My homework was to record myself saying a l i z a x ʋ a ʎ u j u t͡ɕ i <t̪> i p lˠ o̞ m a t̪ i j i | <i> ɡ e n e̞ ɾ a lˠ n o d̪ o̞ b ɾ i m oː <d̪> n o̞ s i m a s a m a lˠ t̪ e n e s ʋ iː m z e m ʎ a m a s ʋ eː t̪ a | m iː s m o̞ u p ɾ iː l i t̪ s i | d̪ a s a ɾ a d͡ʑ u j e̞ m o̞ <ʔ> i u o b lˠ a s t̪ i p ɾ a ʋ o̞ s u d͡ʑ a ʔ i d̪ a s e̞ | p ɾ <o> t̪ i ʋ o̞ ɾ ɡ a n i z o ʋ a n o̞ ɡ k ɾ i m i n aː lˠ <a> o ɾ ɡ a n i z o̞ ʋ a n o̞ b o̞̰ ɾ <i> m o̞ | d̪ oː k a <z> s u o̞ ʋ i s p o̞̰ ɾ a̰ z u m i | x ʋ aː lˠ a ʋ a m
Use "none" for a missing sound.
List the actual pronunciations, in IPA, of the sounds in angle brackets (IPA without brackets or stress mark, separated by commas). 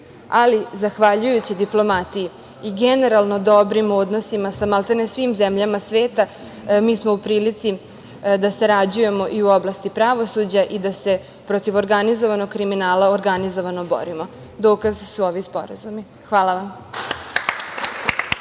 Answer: d̪, i, d̪, ʔ, o, a, i, z